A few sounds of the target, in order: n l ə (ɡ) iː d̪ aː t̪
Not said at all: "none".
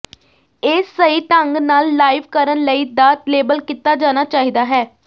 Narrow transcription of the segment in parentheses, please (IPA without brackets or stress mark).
none